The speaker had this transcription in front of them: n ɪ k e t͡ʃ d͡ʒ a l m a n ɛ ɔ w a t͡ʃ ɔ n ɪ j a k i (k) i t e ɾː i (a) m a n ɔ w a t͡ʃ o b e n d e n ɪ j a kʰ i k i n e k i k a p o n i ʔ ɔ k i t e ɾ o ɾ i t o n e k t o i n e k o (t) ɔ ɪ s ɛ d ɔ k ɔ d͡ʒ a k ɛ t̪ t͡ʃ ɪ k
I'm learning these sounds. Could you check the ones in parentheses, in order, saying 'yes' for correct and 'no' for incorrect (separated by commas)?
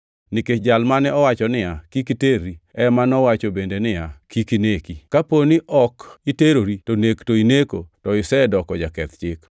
yes, no, yes